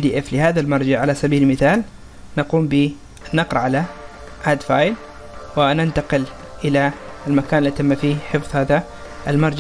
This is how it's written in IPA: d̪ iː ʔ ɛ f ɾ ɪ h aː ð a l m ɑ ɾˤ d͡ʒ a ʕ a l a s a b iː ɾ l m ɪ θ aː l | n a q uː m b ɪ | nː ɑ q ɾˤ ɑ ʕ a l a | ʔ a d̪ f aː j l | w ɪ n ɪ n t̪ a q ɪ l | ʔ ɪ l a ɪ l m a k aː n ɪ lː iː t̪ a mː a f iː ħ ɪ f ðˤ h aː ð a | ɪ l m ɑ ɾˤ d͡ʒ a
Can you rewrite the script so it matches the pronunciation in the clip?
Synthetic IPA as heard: d̪ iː ʔ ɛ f l ɪ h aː ð a l m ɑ ɾˤ d͡ʒ a ʕ a l a s a b iː l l m ɪ θ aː l | n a q uː m b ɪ | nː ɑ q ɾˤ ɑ ʕ a l a | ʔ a d̪ f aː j l | w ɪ n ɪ n t̪ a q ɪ l | ʔ ɪ l a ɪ l m a k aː n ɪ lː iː t̪ a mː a f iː ħ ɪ f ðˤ h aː ð a | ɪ l m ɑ ɾˤ d͡ʒ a

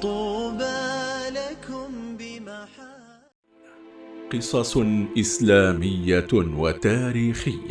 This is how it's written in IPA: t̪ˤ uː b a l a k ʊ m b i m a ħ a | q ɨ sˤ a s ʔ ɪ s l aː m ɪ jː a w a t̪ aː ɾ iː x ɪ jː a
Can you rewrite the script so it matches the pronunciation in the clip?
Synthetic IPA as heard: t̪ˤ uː b a l a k ʊ m b ɪ m a ħ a | q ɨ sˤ ɑ s ʔ ɪ s l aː m ɪ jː a w a t̪ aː ɾ iː x ɪ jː a

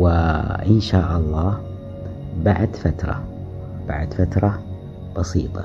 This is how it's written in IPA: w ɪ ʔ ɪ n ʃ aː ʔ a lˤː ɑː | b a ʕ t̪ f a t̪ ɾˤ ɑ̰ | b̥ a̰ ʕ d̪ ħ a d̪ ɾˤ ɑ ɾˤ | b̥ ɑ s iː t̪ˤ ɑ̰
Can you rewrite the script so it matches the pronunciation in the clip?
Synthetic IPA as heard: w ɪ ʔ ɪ n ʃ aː ʔ ɑ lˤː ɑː | b a ʕ d̪ f a t̪ ɾˤ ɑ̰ | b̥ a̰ ʕ d̪ f a t̪ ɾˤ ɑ | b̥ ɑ s iː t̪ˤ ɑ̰

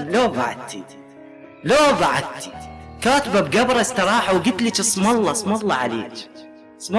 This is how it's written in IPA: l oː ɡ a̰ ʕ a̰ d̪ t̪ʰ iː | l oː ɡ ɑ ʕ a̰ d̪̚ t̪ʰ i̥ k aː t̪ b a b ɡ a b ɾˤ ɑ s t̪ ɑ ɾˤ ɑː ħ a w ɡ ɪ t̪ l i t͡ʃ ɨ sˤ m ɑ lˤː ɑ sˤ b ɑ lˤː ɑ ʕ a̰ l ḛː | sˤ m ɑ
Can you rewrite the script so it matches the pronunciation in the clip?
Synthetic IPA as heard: l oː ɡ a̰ ʕ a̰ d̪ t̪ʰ i | l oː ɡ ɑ ʕ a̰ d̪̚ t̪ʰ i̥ k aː t̪ b a b ɡ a b ɾˤ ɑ s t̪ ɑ ɾˤ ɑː ħ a w ɡ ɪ t̪ l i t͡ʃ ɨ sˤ m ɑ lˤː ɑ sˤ m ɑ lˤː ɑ ʕ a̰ l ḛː | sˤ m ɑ

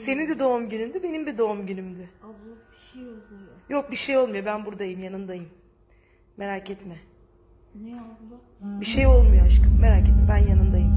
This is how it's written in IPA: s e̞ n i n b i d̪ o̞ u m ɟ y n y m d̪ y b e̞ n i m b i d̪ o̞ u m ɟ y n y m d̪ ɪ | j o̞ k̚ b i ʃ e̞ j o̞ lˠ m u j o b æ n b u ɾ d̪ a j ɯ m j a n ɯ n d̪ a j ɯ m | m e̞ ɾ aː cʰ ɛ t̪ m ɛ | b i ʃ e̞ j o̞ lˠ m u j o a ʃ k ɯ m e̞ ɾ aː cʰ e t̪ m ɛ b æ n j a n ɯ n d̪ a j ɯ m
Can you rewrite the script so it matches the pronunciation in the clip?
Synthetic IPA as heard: s e̞ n i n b i d̪ o̞ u m ɟ y n y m d̪ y b e̞ n i m b i d̪ o̞ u m ɟ y n y m d̪ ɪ | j o̞ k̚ b i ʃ e̞ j o̞ lˠ m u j o b æ n b u ɾ d̪ a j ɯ m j a n ɯ n d̪ a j ɯ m | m e̞ ɾ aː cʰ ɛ t̪ m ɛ | b i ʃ e̞ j o̞ lˠ m u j o a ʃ k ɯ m e̞ ɾ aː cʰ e t̪ m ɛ b æ n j a n ɯ n d̪ a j ɯ m

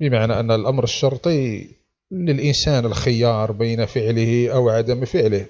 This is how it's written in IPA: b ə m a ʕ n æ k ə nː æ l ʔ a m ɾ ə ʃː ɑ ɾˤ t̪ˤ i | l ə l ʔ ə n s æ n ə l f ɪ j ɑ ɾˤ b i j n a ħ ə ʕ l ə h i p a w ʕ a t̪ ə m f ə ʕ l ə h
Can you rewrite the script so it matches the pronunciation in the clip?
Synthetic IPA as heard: b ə m a ʕ n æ ʔ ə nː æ l ʔ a m ɾ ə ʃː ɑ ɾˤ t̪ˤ i | l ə l ʔ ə n s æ n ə l x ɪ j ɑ ɾˤ b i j n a f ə ʕ l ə h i ʔ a w ʕ a d̪ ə m f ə ʕ l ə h

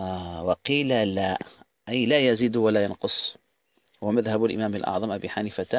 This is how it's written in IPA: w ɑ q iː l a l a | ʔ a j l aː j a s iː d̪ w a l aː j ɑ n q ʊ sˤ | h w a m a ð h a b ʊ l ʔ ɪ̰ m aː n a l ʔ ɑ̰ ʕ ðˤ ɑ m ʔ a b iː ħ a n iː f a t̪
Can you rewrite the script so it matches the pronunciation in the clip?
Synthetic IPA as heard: w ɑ q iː l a l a | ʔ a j l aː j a z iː d̪ w a l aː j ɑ n q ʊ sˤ | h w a m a ð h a b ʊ l ʔ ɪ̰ m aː m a l ʔ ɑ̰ ʕ ðˤ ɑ m ʔ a b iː ħ a n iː f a t̪

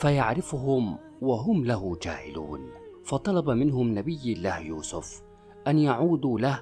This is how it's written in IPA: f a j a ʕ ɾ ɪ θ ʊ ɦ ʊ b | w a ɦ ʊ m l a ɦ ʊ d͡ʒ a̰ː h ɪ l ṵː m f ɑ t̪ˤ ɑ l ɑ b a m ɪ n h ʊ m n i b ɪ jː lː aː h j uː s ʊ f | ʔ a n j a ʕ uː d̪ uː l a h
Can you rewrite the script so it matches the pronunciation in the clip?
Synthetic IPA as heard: f a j a ʕ ɾ ɪ f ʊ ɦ ʊ m | w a ɦ ʊ m l a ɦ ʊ d͡ʒ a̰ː h ɪ l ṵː n f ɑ t̪ˤ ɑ l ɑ b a m ɪ n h ʊ m n a b ɪ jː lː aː h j uː s ʊ f | ʔ a n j a ʕ uː d̪ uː l a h

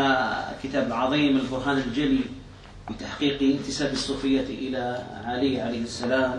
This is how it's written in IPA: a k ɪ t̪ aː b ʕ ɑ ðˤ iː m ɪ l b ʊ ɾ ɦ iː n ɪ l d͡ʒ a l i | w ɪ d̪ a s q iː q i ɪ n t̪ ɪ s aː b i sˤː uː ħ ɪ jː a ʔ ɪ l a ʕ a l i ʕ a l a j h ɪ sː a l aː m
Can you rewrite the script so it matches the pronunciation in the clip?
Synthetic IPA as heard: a k ɪ t̪ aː b ʕ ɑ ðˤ iː m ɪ l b ʊ ɾ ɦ aː n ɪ l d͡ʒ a l i | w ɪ t̪ a ħ q iː q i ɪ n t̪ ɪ s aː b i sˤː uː f ɪ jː a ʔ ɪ l a ʕ a l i ʕ a l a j h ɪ sː a l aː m

